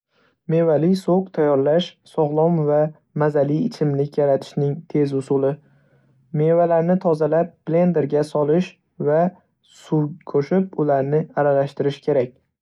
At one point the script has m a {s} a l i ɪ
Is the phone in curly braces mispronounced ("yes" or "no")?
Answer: yes